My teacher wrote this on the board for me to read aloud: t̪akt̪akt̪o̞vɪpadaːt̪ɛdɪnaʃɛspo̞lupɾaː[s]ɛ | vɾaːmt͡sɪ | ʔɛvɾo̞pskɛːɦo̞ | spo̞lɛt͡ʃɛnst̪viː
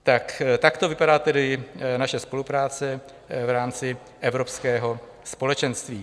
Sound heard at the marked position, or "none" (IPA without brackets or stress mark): t͡s